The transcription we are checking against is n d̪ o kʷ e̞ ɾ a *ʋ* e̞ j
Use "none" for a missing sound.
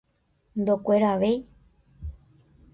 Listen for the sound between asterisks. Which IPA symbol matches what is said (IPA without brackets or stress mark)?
ʋ